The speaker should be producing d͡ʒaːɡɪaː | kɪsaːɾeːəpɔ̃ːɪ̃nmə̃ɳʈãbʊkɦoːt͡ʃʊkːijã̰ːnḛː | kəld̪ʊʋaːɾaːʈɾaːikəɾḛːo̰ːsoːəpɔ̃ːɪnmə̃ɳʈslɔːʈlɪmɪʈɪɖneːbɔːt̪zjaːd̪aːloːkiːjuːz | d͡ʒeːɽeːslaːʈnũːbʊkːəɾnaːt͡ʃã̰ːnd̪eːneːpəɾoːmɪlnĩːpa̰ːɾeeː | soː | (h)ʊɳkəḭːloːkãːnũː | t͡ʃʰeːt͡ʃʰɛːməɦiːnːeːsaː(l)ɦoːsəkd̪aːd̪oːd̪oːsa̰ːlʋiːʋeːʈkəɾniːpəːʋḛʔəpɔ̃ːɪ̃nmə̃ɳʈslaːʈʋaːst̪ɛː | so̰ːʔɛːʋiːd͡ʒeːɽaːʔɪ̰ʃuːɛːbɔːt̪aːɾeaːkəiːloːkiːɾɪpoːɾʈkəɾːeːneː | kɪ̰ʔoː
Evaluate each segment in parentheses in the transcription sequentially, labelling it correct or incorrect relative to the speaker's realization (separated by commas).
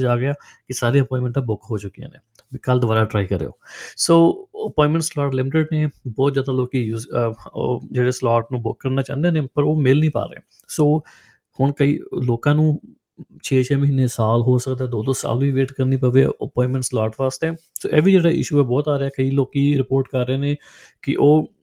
correct, correct